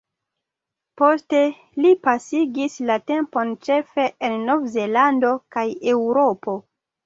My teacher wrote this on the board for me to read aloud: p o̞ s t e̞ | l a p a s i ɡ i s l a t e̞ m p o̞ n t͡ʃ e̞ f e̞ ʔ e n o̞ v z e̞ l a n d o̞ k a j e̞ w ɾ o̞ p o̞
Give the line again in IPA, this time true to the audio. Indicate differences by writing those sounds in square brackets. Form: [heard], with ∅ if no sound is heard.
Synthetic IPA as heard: p o̞ s t e̞ | l [i] p a s i ɡ i s l a t e̞ m p o̞ n t͡ʃ e̞ f e̞ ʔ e [nː] o̞ v z e̞ l a n d o̞ k a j e̞ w ɾ o̞ p o̞